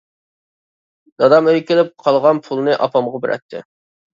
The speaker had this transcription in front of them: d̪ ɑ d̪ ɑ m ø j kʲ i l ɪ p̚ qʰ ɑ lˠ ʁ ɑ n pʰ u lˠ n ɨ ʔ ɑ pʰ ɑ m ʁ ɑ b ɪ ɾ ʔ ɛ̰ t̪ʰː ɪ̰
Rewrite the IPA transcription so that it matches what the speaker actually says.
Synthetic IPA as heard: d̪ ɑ d̪ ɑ m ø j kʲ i l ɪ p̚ qʰ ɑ lˠ ʁ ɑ n pʰ u lˠ n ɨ ʔ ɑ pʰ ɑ m ʁ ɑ b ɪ ɾ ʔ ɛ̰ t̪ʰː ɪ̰